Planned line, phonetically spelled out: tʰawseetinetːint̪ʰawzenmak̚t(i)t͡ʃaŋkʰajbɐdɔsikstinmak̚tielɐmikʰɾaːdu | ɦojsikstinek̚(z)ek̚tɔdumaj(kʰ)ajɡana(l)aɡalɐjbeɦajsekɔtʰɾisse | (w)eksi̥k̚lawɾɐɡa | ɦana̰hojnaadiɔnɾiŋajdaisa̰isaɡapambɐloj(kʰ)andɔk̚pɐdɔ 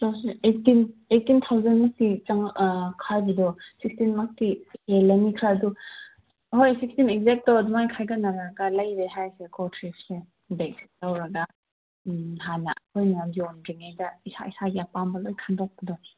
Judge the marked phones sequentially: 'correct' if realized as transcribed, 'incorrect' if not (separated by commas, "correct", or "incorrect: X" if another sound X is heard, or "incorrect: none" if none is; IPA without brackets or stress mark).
correct, correct, correct, incorrect: ɾ, incorrect: b, correct